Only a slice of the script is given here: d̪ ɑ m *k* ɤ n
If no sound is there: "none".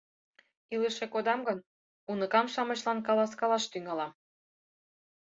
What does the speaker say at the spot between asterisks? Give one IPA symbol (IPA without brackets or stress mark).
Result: ɡ